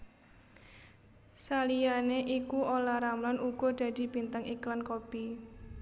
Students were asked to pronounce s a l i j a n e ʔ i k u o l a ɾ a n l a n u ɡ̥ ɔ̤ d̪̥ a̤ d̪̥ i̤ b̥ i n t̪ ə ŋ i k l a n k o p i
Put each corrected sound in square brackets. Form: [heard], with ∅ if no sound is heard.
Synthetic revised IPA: s a l i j a n e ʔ i k u o l a ɾ a [m] l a n u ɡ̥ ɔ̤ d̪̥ a̤ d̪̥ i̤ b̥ i n t̪ ə ŋ i k l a n k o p i